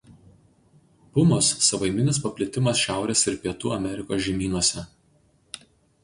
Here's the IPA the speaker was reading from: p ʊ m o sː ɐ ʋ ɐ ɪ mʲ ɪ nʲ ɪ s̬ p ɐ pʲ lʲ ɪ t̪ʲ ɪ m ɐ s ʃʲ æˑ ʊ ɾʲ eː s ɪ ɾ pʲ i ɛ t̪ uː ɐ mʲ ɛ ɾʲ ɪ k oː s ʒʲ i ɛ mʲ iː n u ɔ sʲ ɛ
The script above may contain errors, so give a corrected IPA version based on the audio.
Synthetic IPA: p ʊ m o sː ɐ ʋ ɐ ɪ mʲ ɪ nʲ ɪ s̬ p ɐ pʲ lʲ ɪ t̪ʲ ɪ m ɐ s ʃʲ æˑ ʊ ɾʲ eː s ɪ ɾ pʲ i ɛ t̪ uː ɐ mʲ ɛ ɾʲ ɪ k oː s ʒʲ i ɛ mʲ iː n u ɔ sʲ ɛ

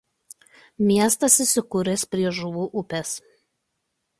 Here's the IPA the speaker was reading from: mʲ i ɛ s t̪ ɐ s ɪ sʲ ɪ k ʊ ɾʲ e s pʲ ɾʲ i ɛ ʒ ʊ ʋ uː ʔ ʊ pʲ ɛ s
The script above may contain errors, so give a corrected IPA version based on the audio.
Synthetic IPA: mʲ i ɛ s t̪ ɐ s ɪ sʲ ɪ k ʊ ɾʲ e s pʲ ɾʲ i ɛ ʒ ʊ ʋ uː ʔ ʊ pʲ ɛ s

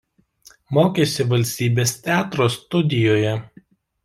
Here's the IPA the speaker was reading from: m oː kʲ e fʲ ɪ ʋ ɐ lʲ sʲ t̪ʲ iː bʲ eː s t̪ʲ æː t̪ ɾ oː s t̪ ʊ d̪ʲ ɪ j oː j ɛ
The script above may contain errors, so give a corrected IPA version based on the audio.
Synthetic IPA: m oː kʲ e sʲ ɪ ʋ ɐ lʲ sʲ t̪ʲ iː bʲ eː s t̪ʲ æː t̪ ɾ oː s t̪ ʊ d̪ʲ ɪ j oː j ɛ

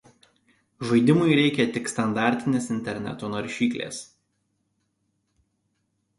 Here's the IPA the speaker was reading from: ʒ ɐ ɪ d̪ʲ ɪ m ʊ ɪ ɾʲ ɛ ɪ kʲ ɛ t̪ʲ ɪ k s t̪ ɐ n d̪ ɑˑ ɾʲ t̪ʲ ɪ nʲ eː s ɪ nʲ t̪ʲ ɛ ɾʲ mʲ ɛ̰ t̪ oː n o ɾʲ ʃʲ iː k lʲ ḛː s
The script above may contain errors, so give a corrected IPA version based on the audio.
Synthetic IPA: ʒ ɐ ɪ d̪ʲ ɪ m ʊ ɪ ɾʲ ɛ ɪ kʲ ɛ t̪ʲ ɪ k s t̪ ɐ n d̪ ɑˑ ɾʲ t̪ʲ ɪ nʲ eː s ɪ nʲ t̪ʲ ɛ ɾʲ nʲ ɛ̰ t̪ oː n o ɾʲ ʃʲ iː k lʲ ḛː s

